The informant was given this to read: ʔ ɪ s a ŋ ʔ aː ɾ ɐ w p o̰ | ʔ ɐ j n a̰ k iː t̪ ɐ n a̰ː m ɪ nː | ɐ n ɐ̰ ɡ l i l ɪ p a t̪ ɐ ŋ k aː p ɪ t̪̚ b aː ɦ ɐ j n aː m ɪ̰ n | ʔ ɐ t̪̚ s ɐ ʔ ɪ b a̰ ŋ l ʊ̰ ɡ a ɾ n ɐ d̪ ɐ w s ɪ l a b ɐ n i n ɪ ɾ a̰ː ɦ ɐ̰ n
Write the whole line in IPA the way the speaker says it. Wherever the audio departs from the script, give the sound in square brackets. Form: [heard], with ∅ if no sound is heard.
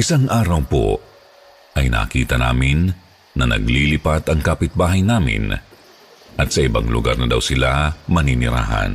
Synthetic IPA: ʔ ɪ s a ŋ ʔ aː ɾ ɐ w p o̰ | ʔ ɐ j n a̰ k iː t̪ ɐ n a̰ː m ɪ nː | ɐ n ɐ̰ ɡ l i l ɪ p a t̪ ɐ ŋ k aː p ɪ t̪̚ b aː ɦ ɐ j n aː m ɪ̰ n | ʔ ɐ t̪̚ s ɐ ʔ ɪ b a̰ ŋ l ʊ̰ ɡ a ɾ n ɐ d̪ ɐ w s ɪ l a [m] ɐ n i n ɪ ɾ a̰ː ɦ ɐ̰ n